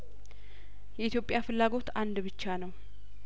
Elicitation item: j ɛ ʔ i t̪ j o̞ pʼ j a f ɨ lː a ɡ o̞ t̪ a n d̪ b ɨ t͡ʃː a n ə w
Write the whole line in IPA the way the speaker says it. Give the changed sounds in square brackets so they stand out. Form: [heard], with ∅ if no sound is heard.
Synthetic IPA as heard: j ɛ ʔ i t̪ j o̞ pʼ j a f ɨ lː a ɡ o̞ t̪ a n d̪ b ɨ t͡ʃː a n ə w